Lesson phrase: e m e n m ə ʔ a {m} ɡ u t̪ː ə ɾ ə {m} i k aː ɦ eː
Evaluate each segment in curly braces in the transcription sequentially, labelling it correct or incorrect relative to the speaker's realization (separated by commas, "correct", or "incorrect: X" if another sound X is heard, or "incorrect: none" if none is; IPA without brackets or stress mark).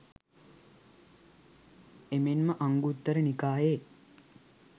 incorrect: ŋ, incorrect: n